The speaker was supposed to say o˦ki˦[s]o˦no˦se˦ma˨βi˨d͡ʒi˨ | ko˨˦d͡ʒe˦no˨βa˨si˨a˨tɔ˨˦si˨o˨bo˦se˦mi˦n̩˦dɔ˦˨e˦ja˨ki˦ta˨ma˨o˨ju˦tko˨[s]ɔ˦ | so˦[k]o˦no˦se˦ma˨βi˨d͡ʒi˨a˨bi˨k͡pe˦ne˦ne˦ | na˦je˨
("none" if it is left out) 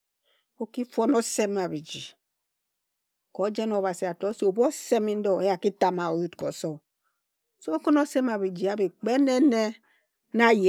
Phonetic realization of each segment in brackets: f, s, k

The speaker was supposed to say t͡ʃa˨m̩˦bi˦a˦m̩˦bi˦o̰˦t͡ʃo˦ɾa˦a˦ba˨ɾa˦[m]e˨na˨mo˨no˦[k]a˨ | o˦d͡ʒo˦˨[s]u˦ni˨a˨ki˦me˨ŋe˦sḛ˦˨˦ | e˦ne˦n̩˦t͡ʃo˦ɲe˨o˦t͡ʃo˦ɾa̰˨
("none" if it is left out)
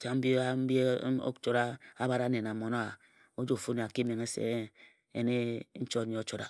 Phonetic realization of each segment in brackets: n, none, f

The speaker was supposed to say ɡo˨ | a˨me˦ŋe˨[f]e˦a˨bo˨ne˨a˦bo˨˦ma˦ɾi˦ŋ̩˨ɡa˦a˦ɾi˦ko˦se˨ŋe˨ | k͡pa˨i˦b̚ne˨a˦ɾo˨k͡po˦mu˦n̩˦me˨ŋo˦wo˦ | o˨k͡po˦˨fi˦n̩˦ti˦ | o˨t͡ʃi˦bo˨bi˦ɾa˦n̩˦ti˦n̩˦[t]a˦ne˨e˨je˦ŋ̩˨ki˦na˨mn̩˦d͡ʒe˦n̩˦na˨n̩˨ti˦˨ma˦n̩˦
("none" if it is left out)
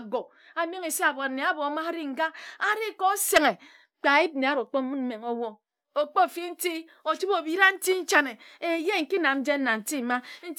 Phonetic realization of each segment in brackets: s, t͡ʃ

